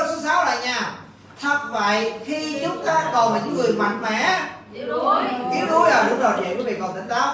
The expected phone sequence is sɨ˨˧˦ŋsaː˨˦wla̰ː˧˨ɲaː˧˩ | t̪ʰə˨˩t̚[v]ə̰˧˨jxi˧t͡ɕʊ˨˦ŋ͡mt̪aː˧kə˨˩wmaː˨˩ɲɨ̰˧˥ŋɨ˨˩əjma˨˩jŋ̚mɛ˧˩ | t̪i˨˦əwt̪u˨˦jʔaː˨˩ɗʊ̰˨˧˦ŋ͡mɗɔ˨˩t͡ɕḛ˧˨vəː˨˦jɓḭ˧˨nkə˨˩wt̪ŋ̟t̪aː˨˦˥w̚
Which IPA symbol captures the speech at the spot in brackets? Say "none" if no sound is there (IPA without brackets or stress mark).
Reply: v